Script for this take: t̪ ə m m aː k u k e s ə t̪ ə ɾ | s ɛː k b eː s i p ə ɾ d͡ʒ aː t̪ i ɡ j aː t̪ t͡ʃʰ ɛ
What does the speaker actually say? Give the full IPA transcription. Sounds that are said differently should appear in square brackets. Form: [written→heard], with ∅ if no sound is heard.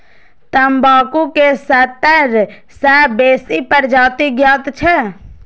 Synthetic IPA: t̪ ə m [m→b] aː k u k e s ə t̪ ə ɾ | s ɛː [k→∅] b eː s i p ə ɾ d͡ʒ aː t̪ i ɡ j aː t̪ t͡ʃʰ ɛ